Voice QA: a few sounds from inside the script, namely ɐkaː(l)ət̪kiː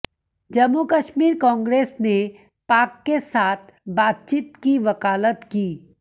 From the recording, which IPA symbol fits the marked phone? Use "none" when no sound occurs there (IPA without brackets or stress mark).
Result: l